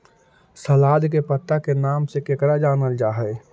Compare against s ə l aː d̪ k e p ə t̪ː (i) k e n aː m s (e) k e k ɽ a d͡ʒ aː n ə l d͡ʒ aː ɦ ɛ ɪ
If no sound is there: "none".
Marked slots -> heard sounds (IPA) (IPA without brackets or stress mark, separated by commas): a, e